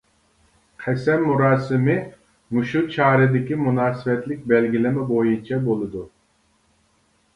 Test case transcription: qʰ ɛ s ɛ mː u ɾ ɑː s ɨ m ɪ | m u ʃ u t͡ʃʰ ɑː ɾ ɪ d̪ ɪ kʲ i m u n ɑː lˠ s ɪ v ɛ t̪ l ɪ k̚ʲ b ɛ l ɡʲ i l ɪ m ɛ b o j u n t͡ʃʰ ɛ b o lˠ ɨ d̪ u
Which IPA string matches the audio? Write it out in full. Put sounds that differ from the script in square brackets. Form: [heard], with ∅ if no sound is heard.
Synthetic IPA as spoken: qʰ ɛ s ɛ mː u ɾ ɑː s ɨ m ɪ | m u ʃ u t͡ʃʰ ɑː ɾ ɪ d̪ ɪ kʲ i m u n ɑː [∅] s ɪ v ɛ t̪ l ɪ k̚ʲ b ɛ l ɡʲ i l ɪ m ɛ b o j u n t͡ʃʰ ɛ b o lˠ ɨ d̪ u